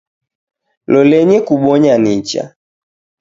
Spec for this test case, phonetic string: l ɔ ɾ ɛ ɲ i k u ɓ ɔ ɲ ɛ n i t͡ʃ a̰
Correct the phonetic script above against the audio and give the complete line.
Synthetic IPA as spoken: l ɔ l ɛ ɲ ɛ k u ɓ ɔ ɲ a n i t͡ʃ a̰